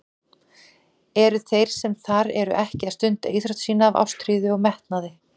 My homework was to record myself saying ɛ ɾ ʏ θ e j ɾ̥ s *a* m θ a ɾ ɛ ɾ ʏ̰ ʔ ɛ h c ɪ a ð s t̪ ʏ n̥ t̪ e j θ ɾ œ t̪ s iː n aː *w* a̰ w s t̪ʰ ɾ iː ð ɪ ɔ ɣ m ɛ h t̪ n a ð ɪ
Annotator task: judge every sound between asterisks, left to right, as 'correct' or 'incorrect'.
incorrect: ɛ, incorrect: v

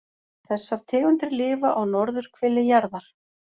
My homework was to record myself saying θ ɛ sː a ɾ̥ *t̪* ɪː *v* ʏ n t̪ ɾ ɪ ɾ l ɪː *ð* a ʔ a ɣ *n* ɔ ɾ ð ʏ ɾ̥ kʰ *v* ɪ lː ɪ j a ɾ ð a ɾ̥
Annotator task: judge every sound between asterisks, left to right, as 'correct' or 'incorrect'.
incorrect: t̪ʰ, incorrect: ɣ, incorrect: v, correct, correct

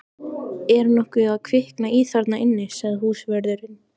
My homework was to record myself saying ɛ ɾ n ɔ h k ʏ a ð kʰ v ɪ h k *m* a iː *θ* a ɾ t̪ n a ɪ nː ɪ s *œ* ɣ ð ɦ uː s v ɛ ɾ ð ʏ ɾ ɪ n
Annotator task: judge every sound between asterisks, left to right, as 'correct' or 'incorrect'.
incorrect: n, correct, incorrect: ɛ

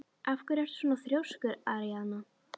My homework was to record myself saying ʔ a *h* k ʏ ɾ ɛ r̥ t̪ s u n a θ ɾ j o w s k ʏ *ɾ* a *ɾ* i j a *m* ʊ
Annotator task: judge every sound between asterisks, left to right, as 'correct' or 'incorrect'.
incorrect: f, correct, correct, incorrect: n

